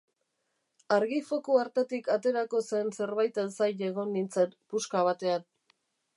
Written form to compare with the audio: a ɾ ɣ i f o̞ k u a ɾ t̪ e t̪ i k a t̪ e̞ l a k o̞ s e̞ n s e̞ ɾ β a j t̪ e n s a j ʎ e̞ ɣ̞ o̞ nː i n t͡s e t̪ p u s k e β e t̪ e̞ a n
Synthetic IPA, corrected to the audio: a ɾ ɣ i f o̞ k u a ɾ t̪ e t̪ i k a t̪ e̞ ɾ a k o̞ s e̞ n s e̞ ɾ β a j t̪ e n s a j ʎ e̞ ɣ̞ o̞ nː i n t͡s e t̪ p u s k a β a t̪ e̞ a n